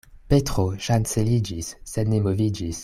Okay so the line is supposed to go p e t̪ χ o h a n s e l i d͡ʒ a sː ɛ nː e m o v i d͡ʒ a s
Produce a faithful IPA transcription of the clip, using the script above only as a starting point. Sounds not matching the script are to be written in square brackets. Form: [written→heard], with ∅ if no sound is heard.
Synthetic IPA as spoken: p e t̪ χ o [h→ʃ] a n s e l i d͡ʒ [a→i] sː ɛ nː e m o v i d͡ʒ [a→i] s